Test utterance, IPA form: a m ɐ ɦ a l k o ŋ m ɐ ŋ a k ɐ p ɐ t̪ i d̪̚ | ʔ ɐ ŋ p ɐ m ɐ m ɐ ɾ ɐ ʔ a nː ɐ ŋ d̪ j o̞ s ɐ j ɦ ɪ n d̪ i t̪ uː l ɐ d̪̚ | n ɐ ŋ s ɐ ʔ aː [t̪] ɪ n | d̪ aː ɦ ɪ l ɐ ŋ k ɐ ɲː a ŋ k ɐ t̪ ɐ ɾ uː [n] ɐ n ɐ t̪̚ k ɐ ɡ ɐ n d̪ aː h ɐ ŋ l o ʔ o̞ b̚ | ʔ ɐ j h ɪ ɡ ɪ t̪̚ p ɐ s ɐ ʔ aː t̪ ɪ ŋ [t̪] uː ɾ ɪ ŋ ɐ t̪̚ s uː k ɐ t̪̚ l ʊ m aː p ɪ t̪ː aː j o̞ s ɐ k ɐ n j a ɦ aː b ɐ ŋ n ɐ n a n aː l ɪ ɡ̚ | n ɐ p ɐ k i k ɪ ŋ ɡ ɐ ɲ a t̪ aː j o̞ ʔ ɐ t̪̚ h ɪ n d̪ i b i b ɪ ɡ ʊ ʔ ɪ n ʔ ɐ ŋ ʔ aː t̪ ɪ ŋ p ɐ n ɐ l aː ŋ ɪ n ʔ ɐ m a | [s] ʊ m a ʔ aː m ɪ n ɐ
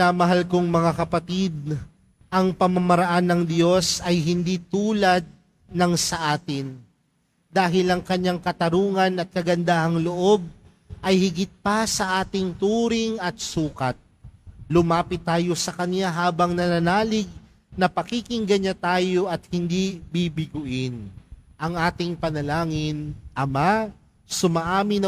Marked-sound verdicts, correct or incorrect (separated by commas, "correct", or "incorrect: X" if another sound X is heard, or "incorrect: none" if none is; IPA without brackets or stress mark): correct, incorrect: ŋ, correct, correct